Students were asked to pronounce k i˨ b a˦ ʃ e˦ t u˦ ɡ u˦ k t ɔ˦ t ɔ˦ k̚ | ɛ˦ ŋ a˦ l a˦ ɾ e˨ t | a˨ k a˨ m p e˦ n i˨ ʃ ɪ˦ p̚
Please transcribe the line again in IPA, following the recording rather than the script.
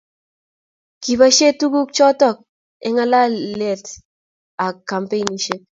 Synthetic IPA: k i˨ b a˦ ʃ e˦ t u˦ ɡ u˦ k t͡ʃ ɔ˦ t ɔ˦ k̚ | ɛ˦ ŋ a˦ l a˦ l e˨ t | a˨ k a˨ m p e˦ n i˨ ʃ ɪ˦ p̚